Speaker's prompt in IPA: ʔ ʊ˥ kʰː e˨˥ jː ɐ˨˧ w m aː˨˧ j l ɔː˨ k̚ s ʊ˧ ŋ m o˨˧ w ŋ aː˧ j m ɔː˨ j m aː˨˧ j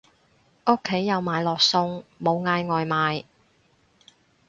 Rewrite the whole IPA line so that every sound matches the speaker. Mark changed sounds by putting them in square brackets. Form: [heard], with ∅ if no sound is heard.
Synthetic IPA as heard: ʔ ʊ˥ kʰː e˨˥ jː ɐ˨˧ w m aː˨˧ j l ɔː˨ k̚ s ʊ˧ ŋ m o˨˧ w ŋ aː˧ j [ŋ] ɔː˨ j m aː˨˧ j